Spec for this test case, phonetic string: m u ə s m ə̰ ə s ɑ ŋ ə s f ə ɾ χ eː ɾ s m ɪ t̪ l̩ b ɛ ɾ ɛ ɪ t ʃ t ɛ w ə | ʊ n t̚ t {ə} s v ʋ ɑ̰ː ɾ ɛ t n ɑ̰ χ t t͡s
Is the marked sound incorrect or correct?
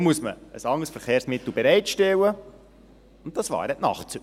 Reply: incorrect